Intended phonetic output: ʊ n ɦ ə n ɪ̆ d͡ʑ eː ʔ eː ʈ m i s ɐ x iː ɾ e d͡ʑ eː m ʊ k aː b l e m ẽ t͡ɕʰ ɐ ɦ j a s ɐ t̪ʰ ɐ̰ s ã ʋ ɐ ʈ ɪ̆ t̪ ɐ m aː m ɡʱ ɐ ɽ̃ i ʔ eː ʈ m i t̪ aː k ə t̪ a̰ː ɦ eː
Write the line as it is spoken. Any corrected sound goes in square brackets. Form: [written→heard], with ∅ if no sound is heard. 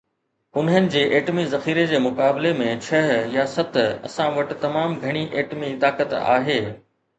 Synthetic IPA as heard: ʊ n ɦ ə n ɪ̆ d͡ʑ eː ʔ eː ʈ m i [s→z] ɐ x iː ɾ e d͡ʑ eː m ʊ k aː b l e m ẽ t͡ɕʰ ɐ ɦ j a s ɐ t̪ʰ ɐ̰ s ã ʋ ɐ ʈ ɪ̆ t̪ ɐ m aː m ɡʱ ɐ ɽ̃ i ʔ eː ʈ m i t̪ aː k ə t̪ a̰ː ɦ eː